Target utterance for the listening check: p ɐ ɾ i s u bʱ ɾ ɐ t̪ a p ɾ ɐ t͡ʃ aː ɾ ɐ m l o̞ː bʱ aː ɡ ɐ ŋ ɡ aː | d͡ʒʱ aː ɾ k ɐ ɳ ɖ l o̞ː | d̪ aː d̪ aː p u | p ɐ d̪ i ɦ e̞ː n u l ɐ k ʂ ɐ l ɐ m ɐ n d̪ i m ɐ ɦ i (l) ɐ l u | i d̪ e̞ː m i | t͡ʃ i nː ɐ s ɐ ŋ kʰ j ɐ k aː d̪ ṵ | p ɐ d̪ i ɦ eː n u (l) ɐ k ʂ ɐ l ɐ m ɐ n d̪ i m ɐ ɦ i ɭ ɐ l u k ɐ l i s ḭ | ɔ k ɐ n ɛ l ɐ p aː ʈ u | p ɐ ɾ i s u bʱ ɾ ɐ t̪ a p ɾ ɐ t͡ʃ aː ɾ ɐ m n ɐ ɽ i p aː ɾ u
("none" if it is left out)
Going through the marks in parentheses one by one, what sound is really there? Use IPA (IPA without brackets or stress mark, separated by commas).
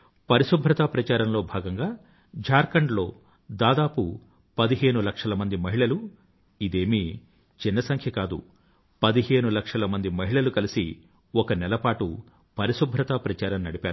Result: ɭ, l